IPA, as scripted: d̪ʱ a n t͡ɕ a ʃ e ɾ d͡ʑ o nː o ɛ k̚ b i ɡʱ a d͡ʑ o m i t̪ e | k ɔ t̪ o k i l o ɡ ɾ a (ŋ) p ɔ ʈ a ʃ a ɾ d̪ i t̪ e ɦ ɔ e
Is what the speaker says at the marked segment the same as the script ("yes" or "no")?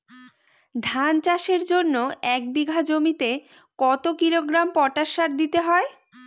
no